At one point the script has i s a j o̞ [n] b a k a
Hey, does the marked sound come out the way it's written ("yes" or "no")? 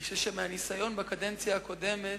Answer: yes